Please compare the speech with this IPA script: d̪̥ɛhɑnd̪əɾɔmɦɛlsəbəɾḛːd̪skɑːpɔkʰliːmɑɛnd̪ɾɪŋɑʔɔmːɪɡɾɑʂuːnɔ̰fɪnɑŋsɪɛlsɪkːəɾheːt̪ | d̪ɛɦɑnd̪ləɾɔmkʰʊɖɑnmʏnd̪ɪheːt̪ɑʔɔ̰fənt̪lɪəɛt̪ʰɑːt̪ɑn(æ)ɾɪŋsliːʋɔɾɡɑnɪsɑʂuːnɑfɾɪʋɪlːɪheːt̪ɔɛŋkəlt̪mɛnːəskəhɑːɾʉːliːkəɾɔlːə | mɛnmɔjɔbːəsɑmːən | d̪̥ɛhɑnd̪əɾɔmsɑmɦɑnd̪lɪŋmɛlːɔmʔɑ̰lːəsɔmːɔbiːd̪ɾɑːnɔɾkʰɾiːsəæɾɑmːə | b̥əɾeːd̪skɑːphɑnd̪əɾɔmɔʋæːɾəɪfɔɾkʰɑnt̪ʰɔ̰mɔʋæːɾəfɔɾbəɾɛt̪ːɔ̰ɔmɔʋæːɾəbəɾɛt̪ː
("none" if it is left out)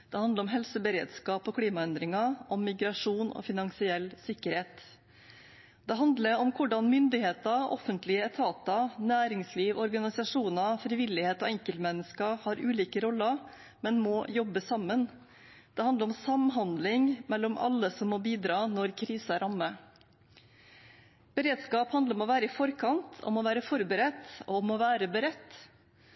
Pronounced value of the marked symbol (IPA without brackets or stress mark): æː